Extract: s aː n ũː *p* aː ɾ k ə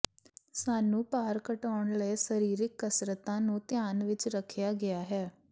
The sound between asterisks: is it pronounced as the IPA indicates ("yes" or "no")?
yes